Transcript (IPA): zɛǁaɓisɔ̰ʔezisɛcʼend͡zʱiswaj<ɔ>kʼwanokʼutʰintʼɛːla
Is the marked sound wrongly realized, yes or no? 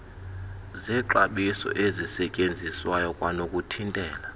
no